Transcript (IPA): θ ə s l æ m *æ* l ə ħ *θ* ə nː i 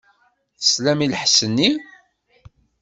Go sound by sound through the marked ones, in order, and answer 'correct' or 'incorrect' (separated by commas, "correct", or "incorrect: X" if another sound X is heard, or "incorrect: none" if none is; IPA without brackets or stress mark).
incorrect: i, incorrect: s